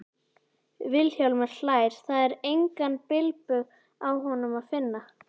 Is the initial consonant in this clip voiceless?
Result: no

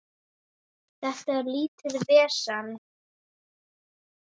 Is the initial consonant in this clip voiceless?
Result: yes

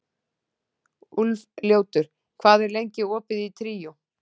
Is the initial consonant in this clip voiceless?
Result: no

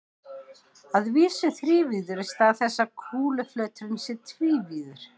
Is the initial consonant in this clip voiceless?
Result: no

